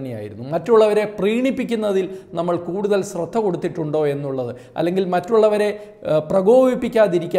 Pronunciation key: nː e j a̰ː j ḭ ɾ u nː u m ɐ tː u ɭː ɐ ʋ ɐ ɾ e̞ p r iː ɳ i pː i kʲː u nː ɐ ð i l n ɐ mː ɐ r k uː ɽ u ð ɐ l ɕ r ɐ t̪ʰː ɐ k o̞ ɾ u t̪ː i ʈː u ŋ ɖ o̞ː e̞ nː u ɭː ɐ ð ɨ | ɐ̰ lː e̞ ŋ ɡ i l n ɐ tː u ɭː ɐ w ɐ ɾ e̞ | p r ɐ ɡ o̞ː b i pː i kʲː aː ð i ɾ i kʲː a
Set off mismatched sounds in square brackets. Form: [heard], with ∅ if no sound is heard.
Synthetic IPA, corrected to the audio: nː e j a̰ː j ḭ ɾ u nː u m ɐ tː u ɭː ɐ ʋ ɐ ɾ e̞ p r iː ɳ i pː i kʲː u nː ɐ ð i l n ɐ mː ɐ [ɭ] k uː ɽ u ð ɐ l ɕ r ɐ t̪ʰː ɐ k o̞ [ɽ] u t̪ː i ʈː u [ɳ] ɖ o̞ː e̞ nː u ɭː ɐ ð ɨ | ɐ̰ lː e̞ ŋ ɡ i l [m] ɐ tː u ɭː ɐ [ʋ] ɐ ɾ e̞ | p r ɐ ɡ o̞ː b i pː i kʲː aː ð i ɾ i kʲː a